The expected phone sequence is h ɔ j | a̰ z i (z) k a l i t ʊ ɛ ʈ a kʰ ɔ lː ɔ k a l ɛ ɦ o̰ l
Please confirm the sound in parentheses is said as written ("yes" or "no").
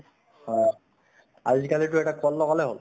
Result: no